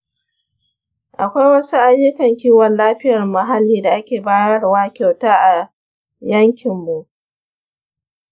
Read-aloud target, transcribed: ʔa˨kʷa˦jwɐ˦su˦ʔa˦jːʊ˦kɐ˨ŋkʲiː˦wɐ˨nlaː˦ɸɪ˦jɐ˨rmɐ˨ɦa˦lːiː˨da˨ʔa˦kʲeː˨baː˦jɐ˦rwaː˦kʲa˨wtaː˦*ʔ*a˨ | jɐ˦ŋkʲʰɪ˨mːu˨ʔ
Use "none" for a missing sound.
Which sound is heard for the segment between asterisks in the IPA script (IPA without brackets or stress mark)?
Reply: ʔ